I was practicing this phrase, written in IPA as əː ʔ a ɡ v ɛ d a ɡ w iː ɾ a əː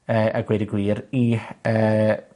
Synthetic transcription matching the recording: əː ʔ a ɡ w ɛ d i ɡ w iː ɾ i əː